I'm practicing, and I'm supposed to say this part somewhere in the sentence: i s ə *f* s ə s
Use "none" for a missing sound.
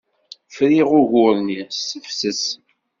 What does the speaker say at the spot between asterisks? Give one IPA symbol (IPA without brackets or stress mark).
f